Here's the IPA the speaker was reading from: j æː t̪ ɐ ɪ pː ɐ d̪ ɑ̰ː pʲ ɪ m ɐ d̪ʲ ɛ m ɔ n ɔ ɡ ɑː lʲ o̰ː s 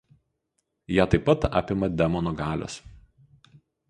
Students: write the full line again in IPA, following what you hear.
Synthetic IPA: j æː t̪ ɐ ɪ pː ɐ t̪ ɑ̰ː pʲ ɪ m ɐ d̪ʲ ɛ m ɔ n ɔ ɡ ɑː lʲ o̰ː s